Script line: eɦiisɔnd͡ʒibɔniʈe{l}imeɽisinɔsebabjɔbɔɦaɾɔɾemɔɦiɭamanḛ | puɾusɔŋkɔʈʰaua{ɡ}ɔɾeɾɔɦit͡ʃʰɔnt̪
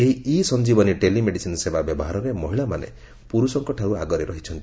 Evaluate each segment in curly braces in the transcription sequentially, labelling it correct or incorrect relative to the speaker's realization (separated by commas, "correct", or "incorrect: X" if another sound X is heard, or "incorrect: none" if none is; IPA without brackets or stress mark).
correct, correct